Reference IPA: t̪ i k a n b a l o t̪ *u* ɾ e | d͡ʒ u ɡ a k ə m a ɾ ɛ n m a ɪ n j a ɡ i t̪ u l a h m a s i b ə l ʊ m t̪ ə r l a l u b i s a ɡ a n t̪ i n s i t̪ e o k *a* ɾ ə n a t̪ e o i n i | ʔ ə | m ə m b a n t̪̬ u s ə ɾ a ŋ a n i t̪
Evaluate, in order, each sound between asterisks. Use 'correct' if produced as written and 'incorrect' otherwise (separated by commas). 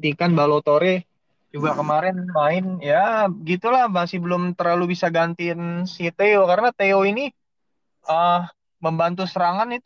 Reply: incorrect, correct